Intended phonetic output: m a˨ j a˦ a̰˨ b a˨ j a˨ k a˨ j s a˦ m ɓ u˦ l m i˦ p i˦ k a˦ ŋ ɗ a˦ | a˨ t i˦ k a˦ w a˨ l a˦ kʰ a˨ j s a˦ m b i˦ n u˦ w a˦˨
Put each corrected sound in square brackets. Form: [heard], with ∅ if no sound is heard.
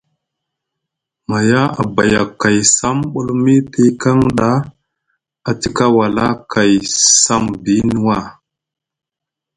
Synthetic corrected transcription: m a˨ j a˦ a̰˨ b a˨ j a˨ k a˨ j s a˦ m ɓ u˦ l m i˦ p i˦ k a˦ ŋ ɗ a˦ | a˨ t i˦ k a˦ w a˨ l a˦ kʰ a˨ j s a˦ m b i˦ n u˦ w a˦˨